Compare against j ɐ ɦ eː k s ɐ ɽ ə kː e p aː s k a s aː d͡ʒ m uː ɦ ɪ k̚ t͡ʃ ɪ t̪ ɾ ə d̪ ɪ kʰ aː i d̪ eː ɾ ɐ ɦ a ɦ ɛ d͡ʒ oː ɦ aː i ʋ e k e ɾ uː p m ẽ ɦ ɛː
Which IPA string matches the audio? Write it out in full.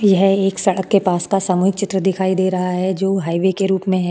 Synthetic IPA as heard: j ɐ ɦ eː k s ɐ ɽ ə kː e p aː s k a s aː m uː ɦ ɪ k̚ t͡ʃ ɪ t̪ ɾ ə d̪ ɪ kʰ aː i d̪ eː ɾ ɐ ɦ a ɦ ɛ d͡ʒ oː ɦ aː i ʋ e k e ɾ uː p m ẽ ɦ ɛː